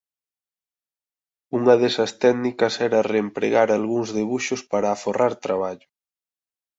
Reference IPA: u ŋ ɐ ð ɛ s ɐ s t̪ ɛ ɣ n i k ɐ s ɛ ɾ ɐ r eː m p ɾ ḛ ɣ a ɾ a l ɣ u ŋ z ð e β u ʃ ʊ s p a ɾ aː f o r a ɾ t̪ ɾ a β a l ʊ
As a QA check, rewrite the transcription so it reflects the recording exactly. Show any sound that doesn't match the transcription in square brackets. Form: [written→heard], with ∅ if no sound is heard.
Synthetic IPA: u ŋ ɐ ð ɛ s ɐ s t̪ ɛ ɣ n i k ɐ s ɛ ɾ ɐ r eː m p ɾ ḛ ɣ a ɾ a l ɣ u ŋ z ð e β u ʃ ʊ s p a ɾ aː f o r a ɾ t̪ ɾ a β a [l→ʎ] ʊ